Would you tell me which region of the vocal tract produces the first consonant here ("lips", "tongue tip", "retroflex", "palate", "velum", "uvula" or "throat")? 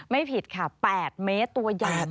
lips